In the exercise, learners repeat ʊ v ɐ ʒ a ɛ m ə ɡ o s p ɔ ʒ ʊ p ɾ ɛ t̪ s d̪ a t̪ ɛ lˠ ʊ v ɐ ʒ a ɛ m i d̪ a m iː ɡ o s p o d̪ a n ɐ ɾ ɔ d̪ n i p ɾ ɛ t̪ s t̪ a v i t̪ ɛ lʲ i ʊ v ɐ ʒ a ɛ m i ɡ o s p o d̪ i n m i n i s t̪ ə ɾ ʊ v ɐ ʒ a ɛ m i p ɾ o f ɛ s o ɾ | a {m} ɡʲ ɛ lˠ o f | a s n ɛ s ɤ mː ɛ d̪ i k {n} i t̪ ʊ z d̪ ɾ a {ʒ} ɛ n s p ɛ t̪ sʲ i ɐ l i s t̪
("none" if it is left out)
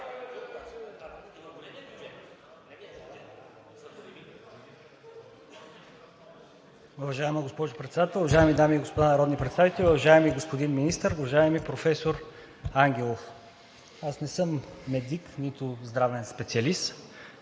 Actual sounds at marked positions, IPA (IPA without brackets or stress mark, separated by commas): ŋ, n, v